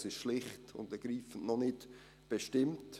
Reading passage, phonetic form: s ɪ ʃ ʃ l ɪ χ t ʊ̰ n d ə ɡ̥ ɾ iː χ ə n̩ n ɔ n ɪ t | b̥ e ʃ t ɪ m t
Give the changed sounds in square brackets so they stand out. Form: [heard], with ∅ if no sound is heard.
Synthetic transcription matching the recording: s ɪ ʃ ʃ l ɪ χ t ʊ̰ n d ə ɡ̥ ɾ iː [f] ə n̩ n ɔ n ɪ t | b̥ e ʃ t ɪ m t